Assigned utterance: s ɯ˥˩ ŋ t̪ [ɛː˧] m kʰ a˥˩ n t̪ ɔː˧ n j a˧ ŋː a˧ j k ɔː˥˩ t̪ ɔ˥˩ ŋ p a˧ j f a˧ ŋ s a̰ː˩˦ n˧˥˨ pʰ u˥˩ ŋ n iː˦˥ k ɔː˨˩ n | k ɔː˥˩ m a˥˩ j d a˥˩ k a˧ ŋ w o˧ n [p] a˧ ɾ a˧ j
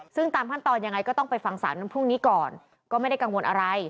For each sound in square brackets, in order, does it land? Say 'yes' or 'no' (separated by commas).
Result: no, no